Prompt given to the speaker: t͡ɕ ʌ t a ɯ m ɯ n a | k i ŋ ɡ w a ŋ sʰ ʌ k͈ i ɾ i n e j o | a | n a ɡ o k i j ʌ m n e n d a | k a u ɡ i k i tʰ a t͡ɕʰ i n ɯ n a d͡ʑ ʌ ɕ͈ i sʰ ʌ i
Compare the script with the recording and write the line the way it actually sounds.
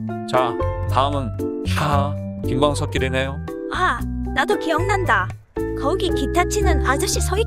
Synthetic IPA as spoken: t͡ɕ a t a ɯ m ɯ n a | k i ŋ ɡ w a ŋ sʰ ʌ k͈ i ɾ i n e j o | a | n a d o k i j ʌ ŋ n a n d a | k ʌ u ɡ i k i tʰ a t͡ɕʰ i n ɯ n a d͡ʑ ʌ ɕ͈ i sʰ ʌ i